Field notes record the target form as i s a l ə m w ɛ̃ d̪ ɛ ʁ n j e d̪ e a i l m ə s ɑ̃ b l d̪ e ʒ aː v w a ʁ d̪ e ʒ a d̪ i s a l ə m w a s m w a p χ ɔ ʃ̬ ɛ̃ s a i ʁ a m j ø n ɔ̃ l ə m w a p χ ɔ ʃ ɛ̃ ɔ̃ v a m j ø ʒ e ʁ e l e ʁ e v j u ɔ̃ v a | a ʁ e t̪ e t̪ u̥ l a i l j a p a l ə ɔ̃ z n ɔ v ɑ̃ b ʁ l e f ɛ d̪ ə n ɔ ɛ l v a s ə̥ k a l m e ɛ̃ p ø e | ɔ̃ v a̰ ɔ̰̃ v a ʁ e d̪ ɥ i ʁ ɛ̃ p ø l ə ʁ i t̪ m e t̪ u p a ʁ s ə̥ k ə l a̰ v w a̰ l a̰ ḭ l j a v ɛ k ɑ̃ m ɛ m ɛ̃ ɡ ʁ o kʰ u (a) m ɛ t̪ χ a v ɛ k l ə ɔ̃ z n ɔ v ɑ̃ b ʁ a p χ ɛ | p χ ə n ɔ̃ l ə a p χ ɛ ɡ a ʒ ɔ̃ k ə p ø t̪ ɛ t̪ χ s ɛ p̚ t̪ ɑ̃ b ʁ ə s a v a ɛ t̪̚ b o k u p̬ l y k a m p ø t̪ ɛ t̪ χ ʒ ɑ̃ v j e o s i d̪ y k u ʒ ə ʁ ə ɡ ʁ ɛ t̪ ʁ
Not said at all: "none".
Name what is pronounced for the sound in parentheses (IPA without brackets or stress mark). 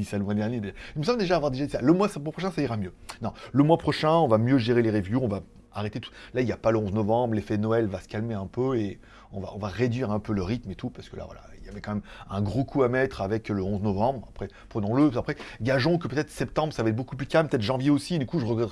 a